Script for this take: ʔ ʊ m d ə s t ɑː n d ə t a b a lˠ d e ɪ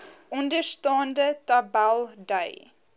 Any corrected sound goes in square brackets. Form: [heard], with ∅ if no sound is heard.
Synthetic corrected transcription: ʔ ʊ [n] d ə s t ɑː n d ə t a b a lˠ d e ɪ